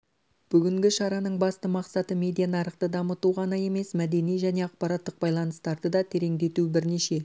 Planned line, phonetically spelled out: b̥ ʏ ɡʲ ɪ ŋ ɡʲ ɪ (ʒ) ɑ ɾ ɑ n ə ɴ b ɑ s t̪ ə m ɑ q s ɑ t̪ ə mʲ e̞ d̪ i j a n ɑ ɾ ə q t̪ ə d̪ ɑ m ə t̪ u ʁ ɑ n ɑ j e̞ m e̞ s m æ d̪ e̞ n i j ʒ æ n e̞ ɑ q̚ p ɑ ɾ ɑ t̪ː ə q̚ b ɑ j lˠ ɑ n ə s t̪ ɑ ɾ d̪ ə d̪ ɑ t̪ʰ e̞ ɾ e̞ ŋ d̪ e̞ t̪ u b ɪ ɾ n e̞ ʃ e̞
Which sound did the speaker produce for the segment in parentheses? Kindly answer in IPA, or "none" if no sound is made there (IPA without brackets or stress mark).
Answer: ʃ